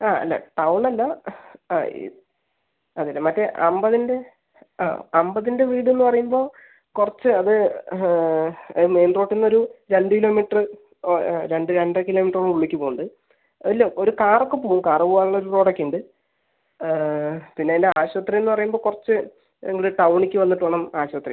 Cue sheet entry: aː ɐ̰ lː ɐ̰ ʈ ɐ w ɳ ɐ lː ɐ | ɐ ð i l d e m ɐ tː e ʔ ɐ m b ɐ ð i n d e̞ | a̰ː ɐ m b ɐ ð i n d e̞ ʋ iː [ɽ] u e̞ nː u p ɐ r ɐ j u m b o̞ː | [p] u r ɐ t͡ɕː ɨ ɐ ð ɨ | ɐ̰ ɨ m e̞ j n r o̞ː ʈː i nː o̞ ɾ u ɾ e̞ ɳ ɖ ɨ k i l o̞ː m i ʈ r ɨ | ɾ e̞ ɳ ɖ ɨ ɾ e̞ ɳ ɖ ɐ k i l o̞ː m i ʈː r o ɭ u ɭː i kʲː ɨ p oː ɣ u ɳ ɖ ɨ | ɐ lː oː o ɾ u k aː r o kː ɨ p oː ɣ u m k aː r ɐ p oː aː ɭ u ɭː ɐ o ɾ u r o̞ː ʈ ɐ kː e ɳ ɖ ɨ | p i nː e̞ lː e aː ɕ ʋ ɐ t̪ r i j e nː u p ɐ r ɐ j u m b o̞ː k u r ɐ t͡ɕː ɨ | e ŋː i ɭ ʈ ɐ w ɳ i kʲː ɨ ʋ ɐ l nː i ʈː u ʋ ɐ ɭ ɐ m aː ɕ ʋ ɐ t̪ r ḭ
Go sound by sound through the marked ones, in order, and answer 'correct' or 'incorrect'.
correct, incorrect: k

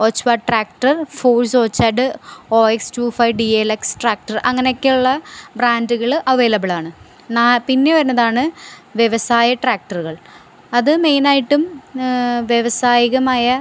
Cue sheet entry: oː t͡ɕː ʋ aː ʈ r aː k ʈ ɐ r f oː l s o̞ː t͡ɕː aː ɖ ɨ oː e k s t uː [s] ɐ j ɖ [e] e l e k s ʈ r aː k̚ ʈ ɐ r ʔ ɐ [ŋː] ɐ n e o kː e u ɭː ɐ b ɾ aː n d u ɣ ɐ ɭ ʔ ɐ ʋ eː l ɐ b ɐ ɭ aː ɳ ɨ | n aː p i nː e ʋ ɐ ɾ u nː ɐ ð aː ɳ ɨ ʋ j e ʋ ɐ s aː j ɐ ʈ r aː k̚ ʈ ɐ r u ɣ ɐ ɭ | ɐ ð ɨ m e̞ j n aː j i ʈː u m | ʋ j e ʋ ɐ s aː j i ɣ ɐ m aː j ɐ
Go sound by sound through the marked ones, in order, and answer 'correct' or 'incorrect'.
incorrect: f, incorrect: i, correct

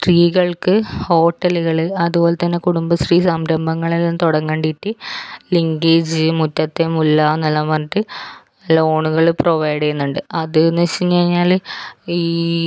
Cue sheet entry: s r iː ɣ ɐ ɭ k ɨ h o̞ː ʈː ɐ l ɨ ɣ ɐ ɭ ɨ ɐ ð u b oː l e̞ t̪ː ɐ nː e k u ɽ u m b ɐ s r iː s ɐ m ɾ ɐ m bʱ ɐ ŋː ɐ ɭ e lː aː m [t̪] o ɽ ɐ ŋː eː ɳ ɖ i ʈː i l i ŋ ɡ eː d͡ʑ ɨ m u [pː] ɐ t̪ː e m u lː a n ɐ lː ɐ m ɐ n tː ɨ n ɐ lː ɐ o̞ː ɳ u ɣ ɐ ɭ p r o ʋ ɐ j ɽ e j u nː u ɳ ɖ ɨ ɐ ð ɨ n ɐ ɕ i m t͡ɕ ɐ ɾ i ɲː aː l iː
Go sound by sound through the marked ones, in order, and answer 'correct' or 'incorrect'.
correct, incorrect: tː

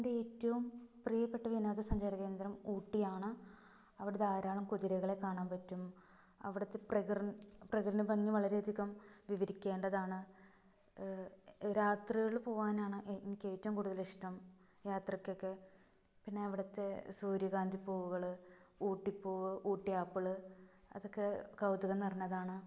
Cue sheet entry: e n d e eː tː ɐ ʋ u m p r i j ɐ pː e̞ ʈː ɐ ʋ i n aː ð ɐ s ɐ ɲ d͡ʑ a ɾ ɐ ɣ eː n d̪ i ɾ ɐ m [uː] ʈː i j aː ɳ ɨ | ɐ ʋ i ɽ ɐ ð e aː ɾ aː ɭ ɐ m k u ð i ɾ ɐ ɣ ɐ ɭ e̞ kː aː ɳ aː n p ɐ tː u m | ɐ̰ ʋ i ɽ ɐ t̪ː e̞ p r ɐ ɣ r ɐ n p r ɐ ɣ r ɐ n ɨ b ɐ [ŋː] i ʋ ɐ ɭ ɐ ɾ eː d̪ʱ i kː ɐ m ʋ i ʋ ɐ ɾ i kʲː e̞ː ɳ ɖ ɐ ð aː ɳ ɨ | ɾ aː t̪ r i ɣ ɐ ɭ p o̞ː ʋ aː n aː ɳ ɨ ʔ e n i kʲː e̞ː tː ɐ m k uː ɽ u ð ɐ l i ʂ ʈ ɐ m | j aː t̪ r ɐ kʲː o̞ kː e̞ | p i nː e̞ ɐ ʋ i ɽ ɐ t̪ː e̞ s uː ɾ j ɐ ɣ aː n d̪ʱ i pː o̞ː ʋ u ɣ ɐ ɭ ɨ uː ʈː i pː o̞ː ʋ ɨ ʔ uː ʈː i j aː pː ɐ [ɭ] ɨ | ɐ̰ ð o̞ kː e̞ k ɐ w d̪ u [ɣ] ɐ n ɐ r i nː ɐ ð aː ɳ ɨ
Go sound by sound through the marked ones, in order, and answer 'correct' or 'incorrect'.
correct, correct, correct, correct

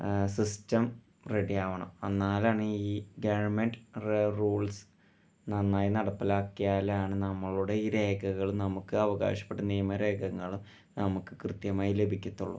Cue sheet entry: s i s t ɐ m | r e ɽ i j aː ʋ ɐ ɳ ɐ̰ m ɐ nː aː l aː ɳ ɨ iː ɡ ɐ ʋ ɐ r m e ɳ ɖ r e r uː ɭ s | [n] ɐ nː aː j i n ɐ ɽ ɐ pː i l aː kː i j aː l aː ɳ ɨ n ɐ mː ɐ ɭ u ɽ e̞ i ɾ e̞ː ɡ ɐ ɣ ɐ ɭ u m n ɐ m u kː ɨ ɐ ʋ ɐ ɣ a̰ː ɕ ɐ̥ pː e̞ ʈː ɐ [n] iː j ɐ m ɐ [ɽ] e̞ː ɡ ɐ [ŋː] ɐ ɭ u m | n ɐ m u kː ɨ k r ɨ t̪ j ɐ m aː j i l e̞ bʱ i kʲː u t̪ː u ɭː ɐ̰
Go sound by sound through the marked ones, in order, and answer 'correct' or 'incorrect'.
correct, correct, incorrect: ɾ, correct

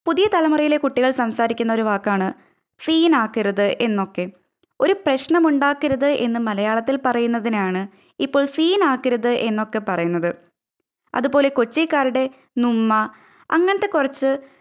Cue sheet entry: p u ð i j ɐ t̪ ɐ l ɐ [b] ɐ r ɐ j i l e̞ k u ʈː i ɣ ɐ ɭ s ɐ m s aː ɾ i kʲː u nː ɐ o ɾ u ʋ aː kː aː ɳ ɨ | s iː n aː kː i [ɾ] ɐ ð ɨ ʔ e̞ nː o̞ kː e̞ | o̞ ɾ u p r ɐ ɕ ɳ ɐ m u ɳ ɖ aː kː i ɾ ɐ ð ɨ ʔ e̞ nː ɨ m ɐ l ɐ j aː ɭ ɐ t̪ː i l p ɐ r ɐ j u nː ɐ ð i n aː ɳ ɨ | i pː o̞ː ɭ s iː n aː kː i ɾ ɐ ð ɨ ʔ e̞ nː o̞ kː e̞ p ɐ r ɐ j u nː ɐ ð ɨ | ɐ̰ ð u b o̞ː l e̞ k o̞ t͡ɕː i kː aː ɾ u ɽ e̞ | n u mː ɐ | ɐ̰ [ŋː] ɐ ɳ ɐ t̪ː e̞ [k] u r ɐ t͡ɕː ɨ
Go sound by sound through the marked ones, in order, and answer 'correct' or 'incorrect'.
incorrect: m, correct, correct, correct

